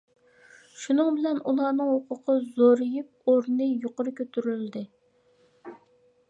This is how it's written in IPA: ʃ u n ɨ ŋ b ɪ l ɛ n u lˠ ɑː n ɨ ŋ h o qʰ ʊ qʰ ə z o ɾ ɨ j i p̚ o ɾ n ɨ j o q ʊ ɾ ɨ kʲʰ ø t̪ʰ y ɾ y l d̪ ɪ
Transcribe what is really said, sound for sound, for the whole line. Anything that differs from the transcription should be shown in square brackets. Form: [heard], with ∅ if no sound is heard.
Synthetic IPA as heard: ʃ u n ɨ ŋ b ɪ l ɛ n u lˠ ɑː n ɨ ŋ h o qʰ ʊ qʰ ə z o ɾ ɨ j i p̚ o ɾ n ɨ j o q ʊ ɾ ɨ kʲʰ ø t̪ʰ y ɾ y l d̪ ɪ